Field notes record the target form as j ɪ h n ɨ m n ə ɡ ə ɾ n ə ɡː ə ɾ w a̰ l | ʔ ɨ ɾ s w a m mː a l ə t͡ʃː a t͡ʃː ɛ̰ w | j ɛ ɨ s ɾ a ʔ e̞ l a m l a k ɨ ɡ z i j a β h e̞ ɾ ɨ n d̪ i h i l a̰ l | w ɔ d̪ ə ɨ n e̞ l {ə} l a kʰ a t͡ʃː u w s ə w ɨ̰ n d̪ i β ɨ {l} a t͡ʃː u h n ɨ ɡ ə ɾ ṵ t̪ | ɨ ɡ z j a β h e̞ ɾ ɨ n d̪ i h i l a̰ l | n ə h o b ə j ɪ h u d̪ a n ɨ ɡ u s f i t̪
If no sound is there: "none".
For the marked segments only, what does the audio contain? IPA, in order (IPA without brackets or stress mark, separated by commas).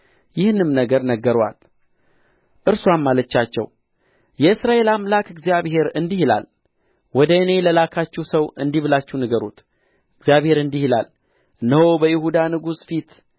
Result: ə, l